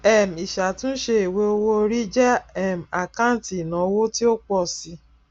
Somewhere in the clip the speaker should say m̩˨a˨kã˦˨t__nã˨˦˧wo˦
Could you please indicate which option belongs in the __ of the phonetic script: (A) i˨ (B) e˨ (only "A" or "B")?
A